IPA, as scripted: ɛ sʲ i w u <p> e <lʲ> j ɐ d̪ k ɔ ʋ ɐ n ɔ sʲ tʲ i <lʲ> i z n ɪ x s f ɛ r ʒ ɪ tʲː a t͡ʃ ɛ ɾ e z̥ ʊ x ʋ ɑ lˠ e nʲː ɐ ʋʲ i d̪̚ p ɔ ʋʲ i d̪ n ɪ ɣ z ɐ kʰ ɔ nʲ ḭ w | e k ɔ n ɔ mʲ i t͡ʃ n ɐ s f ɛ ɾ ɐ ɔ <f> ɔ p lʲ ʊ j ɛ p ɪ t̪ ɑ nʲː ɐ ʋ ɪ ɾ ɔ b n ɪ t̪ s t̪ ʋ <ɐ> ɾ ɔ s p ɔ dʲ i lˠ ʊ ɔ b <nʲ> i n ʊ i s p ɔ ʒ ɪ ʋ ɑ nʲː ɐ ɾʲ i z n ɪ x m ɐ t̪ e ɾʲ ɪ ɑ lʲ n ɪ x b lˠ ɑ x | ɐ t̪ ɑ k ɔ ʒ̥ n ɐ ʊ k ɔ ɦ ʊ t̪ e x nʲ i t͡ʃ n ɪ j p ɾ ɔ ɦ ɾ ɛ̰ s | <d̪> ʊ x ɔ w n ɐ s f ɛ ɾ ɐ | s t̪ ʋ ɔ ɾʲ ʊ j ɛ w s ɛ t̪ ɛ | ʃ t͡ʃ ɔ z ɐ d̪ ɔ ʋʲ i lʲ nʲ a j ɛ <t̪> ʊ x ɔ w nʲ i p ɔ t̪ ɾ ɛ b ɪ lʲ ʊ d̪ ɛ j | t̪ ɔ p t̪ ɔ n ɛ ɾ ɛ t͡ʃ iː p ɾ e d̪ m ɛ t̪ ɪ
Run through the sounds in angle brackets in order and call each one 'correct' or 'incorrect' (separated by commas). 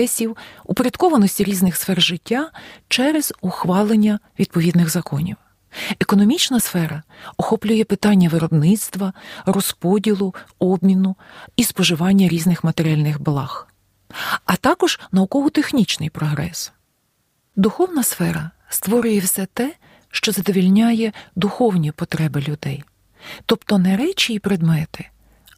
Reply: correct, incorrect, incorrect, incorrect, correct, incorrect, correct, incorrect